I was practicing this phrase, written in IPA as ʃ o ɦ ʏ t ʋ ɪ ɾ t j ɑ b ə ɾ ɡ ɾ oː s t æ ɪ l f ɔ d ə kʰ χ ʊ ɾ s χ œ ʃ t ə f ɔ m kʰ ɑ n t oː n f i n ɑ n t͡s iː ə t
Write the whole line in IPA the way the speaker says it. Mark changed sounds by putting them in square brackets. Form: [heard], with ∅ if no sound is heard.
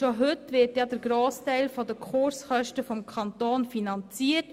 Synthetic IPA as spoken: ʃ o ɦ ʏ t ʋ ɪ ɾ t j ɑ [d] ə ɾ ɡ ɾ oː s t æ ɪ l f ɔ d ə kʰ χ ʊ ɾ s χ œ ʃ t ə f ɔ m kʰ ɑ n t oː n f i n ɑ n t͡s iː ə t